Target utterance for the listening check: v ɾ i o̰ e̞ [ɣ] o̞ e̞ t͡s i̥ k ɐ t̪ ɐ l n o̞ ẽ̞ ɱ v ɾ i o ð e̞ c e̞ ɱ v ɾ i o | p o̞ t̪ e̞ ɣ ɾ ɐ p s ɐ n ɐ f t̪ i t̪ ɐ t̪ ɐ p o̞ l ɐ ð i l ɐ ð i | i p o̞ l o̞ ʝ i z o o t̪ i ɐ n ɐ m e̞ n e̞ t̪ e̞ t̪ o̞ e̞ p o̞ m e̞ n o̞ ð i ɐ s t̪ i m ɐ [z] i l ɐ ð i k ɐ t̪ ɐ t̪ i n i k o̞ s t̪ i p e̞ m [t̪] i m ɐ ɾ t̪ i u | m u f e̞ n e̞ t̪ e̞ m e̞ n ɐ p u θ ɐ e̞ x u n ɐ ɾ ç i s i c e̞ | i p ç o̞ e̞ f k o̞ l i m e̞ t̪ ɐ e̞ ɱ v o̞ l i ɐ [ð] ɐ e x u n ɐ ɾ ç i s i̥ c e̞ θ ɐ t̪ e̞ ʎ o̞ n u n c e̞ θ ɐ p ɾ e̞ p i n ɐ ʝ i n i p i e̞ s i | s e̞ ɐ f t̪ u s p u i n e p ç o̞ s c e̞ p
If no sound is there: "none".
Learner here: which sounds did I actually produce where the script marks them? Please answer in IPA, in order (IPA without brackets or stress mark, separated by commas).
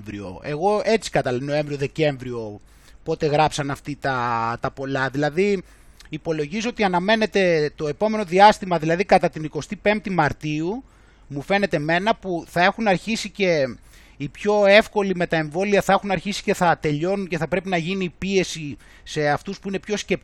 ɣ, ð, t̪, θ